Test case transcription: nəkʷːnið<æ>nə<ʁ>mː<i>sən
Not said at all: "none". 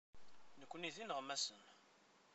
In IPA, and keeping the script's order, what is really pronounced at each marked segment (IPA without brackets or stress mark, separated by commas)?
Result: i, ʁ, æ